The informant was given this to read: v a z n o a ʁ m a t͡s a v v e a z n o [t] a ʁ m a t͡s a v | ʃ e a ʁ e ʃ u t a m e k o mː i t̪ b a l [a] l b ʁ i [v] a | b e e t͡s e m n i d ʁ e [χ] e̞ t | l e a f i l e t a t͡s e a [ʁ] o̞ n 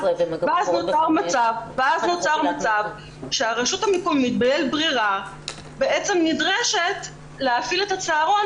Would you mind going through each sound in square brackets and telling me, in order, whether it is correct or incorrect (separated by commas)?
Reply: incorrect, incorrect, incorrect, incorrect, correct